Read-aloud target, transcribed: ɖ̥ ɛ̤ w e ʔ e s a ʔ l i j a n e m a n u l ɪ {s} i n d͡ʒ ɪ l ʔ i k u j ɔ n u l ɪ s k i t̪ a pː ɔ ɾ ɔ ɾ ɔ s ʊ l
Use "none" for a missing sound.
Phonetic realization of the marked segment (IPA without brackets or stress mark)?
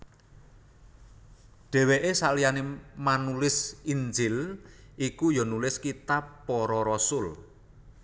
s